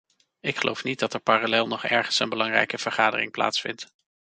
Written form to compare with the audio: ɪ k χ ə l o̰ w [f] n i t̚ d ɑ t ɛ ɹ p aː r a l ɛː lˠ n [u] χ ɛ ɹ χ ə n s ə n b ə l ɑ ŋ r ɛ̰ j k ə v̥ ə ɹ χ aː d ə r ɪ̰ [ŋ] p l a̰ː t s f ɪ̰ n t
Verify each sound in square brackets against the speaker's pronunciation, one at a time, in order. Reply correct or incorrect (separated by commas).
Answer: correct, incorrect, correct